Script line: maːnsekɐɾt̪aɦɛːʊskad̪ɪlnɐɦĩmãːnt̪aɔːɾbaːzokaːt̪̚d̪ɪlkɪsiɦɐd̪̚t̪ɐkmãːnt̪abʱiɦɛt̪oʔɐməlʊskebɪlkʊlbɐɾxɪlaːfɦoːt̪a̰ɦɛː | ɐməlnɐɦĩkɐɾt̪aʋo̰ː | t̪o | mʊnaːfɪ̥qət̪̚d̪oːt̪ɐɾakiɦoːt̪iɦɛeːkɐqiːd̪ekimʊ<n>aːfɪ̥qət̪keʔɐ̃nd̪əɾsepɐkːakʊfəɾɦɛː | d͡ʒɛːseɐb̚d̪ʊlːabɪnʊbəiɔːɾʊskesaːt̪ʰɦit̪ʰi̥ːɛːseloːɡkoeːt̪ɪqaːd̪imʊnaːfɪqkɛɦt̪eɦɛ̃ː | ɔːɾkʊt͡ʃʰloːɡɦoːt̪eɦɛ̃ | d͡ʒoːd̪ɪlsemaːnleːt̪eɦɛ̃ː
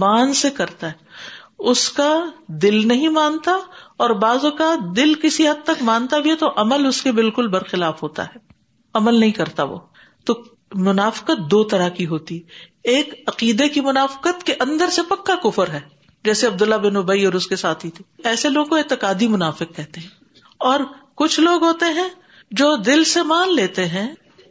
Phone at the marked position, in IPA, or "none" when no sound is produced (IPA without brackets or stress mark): n